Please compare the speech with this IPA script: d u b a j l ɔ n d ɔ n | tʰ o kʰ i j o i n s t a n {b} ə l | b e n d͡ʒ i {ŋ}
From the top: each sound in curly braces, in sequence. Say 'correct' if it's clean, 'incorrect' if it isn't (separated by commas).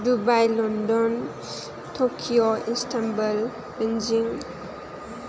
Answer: correct, correct